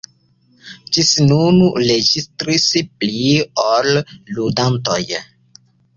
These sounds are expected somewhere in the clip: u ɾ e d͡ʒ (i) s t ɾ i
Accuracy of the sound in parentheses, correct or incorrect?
correct